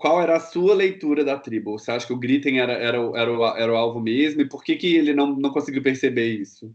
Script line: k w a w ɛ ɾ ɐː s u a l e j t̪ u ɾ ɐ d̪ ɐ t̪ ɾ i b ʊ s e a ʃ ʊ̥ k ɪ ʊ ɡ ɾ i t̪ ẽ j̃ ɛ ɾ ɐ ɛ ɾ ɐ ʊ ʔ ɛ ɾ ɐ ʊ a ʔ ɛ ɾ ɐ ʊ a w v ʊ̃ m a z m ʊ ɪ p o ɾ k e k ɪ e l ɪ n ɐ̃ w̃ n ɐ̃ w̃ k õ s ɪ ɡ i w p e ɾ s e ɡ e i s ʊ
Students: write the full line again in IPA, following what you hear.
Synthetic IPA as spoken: k w a w ɛ ɾ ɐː s u ɐ l e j t̪ u ɾ ɐ d̪ ɐ t̪ ɾ i b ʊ s e a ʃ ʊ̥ k ɪ ʊ ɡ ɾ i t̪ ẽ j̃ ɛ ɾ ɐ ɛ ɾ ɐ ʊ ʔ ɛ ɾ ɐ ʊ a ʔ ɛ ɾ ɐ ʊ a w v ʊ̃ m e z m ʊ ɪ p o ɾ k e k ɪ e l ɪ n ɐ̃ w̃ n ɐ̃ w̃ k õ s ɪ ɡ i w p e ɾ s e b e i s ʊ